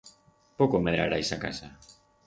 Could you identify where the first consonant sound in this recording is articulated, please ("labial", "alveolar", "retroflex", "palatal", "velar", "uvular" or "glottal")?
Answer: labial